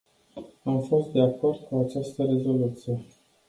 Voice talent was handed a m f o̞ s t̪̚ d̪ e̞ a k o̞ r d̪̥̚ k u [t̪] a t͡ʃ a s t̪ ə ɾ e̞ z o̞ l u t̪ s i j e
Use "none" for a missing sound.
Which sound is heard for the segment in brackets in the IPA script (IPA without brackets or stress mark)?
none